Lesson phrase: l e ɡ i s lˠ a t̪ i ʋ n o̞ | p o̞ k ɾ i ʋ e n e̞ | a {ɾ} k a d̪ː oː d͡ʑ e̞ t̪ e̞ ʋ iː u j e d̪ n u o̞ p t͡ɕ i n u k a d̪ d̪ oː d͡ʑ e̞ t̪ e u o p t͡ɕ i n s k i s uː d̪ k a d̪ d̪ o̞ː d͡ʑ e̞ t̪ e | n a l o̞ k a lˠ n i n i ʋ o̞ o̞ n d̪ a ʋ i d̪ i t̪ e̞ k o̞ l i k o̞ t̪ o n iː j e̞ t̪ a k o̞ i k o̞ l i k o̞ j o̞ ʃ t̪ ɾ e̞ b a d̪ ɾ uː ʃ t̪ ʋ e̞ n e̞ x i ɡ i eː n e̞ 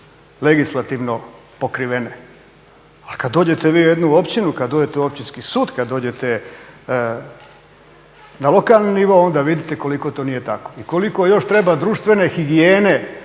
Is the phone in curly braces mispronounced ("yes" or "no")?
yes